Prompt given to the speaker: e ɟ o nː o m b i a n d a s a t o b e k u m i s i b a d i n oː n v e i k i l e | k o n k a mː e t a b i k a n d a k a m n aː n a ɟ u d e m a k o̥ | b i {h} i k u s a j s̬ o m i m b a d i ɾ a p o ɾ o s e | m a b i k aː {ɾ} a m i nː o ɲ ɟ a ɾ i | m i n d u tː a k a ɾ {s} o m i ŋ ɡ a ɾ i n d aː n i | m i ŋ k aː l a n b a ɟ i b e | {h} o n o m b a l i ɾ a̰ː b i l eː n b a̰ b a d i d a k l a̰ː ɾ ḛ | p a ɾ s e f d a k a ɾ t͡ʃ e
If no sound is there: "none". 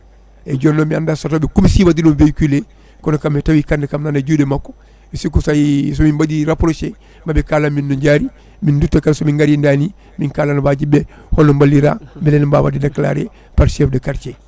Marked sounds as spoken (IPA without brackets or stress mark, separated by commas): s, l, s, h